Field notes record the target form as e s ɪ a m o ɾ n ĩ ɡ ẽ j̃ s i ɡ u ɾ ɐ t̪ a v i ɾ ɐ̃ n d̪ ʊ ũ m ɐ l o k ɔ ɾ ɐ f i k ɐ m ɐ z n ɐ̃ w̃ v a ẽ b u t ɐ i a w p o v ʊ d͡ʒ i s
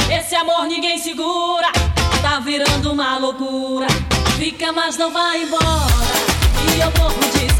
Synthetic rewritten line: e s ɪ a m o ɾ n ĩ ɡ ẽ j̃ s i ɡ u ɾ ɐ t̪ a v i ɾ ɐ̃ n d̪ ʊ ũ m ɐ l o k u ɾ ɐ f i k ɐ m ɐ z n ɐ̃ w̃ v a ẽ b ɔ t ɐ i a w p o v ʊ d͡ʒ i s